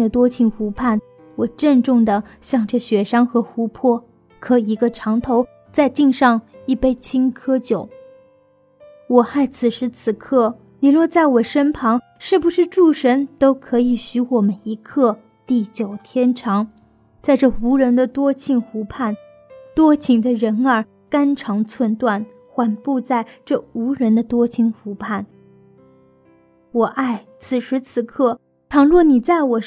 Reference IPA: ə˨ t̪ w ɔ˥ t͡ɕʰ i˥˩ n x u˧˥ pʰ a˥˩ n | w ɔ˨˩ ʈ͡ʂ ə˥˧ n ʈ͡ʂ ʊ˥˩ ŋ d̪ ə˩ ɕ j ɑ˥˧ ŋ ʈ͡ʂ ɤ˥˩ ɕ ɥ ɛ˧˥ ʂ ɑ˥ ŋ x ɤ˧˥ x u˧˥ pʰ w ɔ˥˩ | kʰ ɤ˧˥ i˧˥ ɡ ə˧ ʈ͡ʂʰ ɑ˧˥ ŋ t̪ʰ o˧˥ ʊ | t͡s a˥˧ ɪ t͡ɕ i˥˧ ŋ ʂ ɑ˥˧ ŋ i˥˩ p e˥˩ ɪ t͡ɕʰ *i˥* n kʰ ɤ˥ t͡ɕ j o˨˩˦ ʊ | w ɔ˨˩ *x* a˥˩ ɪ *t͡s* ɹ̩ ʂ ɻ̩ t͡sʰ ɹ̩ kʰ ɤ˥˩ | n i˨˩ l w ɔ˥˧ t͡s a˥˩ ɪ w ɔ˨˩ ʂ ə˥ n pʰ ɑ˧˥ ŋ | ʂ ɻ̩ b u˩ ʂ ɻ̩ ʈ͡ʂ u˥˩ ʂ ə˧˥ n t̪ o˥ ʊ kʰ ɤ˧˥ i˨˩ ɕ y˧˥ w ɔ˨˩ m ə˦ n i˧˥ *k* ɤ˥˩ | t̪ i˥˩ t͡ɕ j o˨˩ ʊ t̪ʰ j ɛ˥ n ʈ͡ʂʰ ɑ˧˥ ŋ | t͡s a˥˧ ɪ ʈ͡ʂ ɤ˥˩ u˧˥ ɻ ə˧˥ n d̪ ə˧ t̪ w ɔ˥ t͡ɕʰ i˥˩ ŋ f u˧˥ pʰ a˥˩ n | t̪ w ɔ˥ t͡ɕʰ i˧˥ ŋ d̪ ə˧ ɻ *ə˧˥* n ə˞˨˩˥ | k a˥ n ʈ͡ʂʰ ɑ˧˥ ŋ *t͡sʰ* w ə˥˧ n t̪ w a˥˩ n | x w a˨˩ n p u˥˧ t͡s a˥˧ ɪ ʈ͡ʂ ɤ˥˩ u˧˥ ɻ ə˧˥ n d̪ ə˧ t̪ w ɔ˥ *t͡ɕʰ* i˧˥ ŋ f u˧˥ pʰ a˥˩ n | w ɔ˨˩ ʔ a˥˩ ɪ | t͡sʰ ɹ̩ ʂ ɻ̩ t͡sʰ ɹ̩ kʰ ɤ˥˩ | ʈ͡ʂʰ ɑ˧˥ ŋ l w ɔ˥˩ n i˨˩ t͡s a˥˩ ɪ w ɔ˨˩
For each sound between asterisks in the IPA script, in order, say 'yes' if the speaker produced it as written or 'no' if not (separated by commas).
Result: yes, yes, no, no, yes, yes, yes